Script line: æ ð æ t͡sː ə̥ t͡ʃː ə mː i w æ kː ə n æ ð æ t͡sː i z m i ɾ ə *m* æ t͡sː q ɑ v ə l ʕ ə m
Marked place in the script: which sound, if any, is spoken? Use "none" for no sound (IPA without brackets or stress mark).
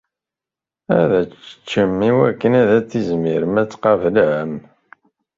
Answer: m